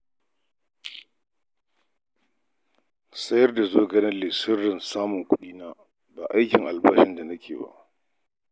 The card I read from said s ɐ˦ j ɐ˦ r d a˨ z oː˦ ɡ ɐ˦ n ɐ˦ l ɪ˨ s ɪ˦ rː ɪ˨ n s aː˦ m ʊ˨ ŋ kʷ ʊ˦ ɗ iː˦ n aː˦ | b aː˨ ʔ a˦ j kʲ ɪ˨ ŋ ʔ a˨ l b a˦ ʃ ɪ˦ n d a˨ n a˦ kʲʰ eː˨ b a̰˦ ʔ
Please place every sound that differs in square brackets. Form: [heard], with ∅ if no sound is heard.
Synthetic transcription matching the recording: s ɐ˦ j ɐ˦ r d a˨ z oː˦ ɡ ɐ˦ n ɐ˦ l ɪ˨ s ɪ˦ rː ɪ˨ n s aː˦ m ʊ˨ ŋ kʷ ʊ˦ ɗ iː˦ n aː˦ | b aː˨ ʔ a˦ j kʲ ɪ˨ ŋ ʔ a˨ l b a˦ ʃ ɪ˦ n d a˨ n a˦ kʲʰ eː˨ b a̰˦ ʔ